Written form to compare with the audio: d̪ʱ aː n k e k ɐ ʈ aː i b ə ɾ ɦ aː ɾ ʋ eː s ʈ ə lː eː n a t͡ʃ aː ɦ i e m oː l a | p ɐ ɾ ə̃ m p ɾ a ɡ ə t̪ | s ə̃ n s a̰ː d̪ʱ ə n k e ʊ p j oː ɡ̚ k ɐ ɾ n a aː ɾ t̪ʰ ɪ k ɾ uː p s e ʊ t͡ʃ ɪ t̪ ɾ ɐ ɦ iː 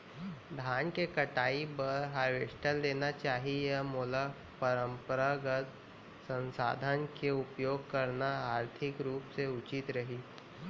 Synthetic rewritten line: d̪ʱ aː n k e k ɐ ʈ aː i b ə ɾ ɦ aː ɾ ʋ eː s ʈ ə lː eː n a t͡ʃ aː ɦ i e m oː l a | p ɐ ɾ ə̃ m p ɾ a ɡ ə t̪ | s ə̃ n s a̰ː d̪ʱ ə n k e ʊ p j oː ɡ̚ k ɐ ɾ n a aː ɾ t̪ʰ ɪ k ɾ uː p s e ʊ t͡ʃ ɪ t̪ ɾ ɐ ɦ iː